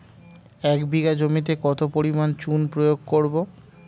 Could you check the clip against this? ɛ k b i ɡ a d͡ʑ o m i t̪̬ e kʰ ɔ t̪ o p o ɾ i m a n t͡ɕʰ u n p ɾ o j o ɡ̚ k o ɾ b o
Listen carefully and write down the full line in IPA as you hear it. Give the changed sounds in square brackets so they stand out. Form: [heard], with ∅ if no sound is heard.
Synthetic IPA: ɛ k b i ɡ a d͡ʑ o m i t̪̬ e [k] ɔ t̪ o p o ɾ i m a n [t͡ɕ] u n p ɾ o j o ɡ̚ k o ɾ b o